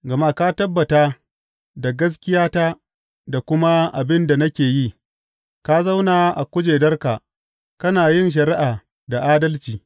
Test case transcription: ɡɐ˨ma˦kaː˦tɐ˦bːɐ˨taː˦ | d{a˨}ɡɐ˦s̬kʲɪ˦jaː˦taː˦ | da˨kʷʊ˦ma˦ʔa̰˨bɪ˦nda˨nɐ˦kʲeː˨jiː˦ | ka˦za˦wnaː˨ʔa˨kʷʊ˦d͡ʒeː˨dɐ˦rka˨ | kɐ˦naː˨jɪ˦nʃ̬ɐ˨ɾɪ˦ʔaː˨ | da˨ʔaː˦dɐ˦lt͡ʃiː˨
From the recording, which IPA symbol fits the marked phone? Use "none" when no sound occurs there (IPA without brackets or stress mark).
a˨